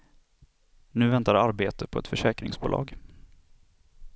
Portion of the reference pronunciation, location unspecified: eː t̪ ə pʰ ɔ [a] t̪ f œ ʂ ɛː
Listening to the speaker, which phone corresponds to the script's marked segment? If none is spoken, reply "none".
ɛ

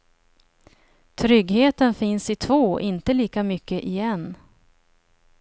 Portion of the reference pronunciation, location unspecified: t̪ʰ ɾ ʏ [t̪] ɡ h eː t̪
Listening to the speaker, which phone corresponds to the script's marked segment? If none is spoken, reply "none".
none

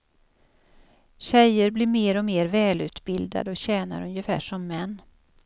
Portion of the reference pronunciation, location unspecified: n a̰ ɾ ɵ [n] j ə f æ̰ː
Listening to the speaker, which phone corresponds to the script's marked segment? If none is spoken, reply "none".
n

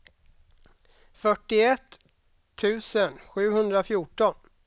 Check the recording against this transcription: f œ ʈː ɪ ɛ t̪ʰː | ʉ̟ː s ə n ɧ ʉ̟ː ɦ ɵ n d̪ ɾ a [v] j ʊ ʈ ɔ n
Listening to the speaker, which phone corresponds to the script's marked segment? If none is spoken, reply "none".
f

